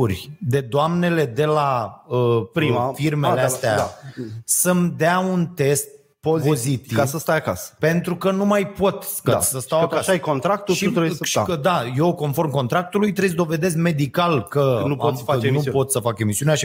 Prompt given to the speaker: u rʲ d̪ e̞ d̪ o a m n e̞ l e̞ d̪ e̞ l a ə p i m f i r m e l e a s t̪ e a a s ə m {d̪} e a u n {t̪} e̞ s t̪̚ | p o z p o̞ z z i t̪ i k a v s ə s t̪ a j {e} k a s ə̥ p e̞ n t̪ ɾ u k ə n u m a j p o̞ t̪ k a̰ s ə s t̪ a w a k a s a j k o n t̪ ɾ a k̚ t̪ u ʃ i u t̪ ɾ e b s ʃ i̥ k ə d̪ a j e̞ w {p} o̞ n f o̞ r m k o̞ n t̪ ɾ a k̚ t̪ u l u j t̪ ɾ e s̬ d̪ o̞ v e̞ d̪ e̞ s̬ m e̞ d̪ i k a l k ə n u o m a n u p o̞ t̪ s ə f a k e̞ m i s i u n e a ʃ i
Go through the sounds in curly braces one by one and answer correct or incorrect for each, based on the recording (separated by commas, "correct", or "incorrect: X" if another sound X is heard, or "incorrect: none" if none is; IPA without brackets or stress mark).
correct, correct, incorrect: a, incorrect: k